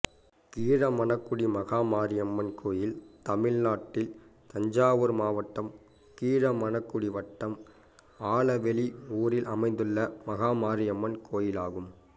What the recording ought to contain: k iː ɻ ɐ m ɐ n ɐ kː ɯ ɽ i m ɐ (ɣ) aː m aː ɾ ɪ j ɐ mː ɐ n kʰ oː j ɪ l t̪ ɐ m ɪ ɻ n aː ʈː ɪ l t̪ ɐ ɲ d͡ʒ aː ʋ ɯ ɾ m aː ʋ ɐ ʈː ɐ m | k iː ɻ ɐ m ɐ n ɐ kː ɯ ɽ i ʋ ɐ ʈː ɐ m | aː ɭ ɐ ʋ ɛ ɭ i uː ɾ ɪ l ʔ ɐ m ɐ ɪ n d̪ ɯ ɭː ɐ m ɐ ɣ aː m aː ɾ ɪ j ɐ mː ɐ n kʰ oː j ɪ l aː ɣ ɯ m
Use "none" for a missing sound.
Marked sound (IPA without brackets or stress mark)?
ɣ